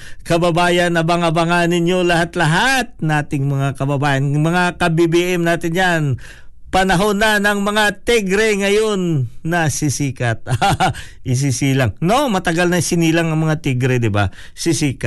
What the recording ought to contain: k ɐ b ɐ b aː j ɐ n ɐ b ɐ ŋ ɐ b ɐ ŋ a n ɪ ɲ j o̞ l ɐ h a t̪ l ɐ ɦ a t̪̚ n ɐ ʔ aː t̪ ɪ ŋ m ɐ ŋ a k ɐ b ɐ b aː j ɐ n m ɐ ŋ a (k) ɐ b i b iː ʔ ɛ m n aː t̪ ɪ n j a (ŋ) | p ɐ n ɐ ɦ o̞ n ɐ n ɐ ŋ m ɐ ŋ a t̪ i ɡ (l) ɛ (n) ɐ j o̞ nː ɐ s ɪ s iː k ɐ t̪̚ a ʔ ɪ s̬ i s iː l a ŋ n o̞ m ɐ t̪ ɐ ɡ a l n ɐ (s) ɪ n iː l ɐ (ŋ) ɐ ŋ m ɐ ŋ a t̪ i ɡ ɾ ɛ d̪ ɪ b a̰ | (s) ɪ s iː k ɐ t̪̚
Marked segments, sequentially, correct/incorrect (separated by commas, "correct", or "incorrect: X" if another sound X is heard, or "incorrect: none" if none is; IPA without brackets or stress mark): correct, incorrect: n, incorrect: ɾ, incorrect: ŋ, correct, correct, correct